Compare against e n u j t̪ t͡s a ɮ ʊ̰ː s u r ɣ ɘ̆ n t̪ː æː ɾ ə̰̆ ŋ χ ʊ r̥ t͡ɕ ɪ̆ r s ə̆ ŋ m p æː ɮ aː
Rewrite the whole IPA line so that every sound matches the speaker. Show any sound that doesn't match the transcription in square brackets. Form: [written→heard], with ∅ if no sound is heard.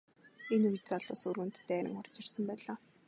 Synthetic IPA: e n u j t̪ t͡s a ɮ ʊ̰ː s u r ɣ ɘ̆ n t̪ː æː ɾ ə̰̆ ŋ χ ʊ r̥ t͡ɕ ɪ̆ r s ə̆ [ŋ→∅] m p æː ɮ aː

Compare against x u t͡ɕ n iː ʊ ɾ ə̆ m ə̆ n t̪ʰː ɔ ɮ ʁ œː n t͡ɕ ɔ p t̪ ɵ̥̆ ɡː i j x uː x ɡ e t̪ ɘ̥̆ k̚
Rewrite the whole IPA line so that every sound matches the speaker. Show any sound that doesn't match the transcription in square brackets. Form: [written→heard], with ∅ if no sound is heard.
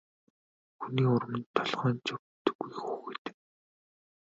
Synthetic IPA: x u [t͡ɕ→∅] n iː ʊ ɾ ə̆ m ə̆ n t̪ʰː ɔ ɮ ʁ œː n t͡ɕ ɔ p t̪ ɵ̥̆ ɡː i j x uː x ɡ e t̪ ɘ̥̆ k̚

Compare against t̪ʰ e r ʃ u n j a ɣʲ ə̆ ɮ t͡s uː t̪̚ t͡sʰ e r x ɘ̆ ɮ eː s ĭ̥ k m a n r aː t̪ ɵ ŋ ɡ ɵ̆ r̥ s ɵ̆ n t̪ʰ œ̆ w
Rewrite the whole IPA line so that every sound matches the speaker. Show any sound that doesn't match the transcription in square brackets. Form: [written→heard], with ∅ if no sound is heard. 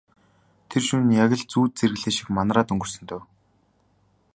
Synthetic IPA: t̪ʰ e r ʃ u n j a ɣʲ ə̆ ɮ t͡s uː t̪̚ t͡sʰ e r [x→ɣ] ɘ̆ ɮ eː [s→ʃ] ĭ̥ k m a n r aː t̪ ɵ ŋ ɡ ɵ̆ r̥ s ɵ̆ n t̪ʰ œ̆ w

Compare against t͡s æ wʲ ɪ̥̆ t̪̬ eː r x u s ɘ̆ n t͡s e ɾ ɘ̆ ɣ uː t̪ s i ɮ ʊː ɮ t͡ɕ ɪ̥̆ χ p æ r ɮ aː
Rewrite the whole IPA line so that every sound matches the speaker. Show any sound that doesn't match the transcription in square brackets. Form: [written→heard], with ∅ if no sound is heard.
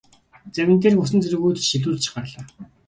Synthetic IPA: t͡s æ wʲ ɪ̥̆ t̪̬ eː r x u s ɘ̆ n t͡s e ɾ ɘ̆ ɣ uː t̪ [s→ʃ] i ɮ [ʊː→uː] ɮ t͡ɕ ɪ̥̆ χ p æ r ɮ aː

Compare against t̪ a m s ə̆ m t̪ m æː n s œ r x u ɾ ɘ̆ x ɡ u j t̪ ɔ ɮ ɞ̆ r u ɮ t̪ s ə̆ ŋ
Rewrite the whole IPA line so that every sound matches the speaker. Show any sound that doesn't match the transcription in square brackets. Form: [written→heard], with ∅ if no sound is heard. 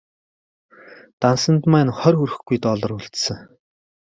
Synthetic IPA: t̪ a [m→n] s ə̆ [m→n] t̪ m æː n [s→χ] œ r x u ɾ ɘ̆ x ɡ u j t̪ ɔ ɮ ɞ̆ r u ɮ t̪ s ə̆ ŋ

